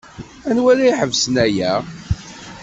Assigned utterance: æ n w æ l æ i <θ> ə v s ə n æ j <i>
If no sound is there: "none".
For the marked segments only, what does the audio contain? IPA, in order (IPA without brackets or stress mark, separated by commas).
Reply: ħ, æ